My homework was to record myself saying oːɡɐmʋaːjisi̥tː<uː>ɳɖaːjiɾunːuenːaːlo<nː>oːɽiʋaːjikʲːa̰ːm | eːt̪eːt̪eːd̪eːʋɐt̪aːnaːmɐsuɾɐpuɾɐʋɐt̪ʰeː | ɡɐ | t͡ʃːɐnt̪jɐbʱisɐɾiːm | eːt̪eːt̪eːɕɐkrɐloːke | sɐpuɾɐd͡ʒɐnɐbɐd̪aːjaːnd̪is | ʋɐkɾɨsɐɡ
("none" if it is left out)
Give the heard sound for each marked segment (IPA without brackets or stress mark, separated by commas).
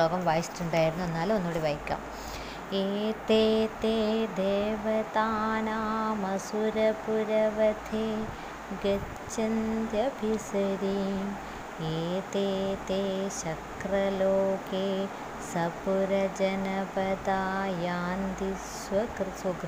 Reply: u, nː